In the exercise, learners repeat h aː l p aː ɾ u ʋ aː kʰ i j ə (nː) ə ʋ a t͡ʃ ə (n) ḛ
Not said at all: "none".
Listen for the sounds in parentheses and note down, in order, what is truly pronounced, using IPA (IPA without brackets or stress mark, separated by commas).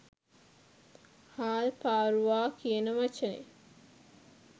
n, n